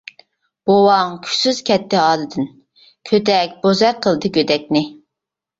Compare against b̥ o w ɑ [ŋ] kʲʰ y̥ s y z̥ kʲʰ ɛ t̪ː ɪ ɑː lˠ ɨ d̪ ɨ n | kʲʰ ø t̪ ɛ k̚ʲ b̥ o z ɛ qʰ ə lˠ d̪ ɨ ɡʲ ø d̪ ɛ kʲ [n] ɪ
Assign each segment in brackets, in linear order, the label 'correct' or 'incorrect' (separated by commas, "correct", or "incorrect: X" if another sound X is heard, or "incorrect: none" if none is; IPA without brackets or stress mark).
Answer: correct, correct